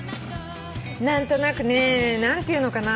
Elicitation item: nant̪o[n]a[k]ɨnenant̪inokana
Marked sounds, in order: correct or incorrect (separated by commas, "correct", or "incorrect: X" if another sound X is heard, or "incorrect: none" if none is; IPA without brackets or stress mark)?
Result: correct, correct